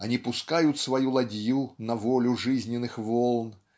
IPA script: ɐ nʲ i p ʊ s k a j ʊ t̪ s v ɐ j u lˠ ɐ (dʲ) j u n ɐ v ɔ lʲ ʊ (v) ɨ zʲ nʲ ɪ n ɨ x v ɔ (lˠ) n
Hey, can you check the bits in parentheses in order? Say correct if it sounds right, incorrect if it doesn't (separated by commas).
correct, incorrect, correct